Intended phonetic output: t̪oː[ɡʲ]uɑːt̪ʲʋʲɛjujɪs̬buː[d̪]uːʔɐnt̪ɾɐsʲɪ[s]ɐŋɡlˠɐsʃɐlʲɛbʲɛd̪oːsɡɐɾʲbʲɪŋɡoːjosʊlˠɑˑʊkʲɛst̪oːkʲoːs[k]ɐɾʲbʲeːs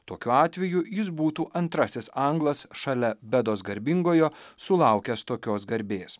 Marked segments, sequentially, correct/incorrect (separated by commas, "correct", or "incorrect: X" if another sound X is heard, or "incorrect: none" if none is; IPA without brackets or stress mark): incorrect: kʲ, incorrect: t̪, correct, incorrect: ɡ